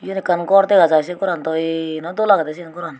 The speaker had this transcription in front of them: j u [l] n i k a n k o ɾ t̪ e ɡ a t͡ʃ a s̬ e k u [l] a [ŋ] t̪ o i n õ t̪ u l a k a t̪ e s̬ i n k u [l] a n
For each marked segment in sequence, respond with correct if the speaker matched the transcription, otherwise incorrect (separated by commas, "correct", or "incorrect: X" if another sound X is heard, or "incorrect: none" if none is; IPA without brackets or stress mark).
incorrect: none, incorrect: ɾ, incorrect: n, incorrect: ɾ